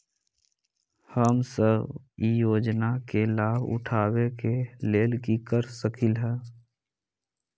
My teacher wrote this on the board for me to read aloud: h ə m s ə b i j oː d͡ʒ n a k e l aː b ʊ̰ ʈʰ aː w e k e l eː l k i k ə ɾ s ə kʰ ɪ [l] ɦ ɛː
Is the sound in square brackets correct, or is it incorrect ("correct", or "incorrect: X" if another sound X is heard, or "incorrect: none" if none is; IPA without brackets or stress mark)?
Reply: correct